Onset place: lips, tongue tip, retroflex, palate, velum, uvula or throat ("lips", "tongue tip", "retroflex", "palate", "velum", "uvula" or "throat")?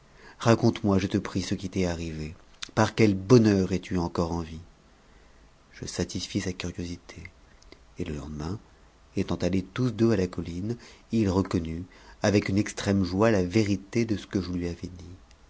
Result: uvula